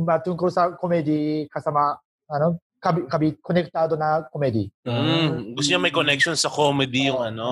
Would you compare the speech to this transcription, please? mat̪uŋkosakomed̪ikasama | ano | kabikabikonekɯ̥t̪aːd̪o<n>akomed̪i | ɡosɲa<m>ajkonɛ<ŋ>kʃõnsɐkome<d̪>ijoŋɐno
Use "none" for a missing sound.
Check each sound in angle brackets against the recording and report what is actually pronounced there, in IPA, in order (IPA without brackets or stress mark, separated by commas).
n, m, none, d̪